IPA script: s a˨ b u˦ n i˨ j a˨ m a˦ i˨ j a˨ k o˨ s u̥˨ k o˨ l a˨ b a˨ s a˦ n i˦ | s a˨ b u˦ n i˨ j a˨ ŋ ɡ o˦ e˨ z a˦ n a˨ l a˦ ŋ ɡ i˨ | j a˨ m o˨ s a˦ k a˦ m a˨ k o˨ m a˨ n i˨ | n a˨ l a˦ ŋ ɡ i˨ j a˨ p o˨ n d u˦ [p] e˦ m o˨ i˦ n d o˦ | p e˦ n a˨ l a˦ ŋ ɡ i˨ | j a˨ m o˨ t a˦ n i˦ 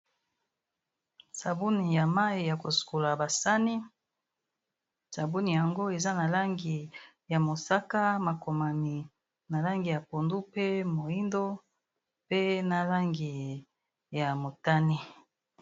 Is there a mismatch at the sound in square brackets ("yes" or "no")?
no